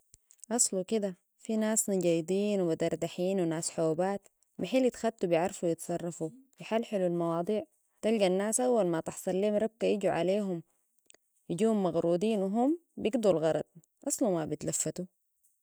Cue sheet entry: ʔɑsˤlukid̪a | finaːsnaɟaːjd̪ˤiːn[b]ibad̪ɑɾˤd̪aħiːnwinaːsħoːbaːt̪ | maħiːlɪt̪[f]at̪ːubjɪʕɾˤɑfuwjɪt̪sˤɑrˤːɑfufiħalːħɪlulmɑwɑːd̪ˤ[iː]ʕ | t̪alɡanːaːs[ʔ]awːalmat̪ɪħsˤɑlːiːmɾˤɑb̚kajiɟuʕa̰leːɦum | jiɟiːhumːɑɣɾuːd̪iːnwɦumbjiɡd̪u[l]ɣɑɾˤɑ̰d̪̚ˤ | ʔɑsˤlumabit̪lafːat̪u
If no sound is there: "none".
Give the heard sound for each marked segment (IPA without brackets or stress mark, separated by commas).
w, x, iː, ʔ, l